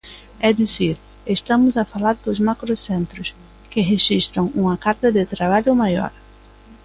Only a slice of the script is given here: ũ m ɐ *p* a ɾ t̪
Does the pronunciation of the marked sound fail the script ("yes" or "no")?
yes